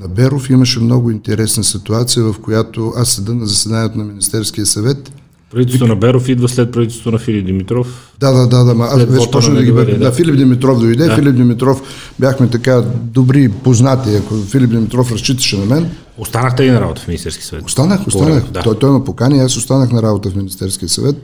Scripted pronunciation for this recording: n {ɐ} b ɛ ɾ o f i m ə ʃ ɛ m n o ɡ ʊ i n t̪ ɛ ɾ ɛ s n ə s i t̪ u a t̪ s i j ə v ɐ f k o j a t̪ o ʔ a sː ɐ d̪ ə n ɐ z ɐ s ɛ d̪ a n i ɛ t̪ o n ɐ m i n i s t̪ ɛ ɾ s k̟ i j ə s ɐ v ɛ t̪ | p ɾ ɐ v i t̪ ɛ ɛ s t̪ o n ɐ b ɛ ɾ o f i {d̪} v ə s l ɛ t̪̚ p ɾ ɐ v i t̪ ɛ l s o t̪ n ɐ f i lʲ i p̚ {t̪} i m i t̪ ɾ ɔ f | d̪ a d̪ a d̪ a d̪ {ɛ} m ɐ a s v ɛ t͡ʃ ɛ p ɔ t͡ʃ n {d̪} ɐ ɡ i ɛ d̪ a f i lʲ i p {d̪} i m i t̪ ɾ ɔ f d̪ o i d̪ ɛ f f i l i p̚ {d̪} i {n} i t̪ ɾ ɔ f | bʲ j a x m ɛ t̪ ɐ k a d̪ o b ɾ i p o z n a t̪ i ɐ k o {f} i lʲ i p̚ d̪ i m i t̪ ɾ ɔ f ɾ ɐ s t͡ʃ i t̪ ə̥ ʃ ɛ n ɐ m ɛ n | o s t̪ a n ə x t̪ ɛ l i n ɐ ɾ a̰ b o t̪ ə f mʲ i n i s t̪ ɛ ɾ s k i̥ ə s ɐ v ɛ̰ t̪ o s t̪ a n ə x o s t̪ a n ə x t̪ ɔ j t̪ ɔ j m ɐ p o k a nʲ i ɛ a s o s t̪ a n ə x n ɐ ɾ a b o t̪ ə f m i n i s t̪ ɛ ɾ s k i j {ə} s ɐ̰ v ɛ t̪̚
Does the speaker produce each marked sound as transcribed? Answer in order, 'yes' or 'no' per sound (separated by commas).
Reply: yes, yes, no, no, yes, yes, yes, no, yes, yes